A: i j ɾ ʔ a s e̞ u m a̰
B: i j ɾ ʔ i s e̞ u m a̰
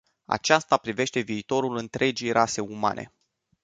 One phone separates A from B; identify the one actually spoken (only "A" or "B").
A